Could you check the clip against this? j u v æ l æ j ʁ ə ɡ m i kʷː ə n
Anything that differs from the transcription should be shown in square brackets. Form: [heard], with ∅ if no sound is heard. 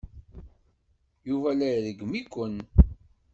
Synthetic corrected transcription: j u v æ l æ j [ð] ə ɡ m i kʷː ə n